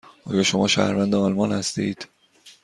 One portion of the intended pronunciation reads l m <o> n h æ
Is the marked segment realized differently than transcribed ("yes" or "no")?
yes